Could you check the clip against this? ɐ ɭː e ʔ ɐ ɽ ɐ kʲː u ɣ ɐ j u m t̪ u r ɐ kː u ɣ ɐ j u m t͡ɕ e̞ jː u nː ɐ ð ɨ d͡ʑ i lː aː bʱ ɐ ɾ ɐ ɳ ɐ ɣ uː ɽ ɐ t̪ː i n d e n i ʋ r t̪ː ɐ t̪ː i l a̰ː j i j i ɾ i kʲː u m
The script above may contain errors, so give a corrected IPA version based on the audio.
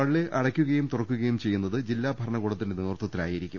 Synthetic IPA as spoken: ɐ ɭː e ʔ ɐ ɽ ɐ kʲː u ɣ ɐ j u m t̪ u r ɐ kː u ɣ ɐ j u m t͡ɕ e̞ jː u nː ɐ ð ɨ d͡ʑ i lː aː bʱ ɐ ɾ ɐ ɳ ɐ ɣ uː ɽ ɐ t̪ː i n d e n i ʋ r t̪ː ɐ t̪ː i l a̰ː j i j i ɾ i kʲː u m